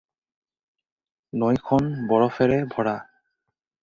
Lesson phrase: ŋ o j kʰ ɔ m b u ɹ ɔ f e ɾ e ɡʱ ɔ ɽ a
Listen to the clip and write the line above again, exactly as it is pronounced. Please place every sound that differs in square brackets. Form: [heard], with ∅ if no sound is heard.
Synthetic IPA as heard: [n] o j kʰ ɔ [n] b [ɔ] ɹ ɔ f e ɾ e [bʱ] ɔ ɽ a